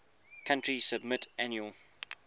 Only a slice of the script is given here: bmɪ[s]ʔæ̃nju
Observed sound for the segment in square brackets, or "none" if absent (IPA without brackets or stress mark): t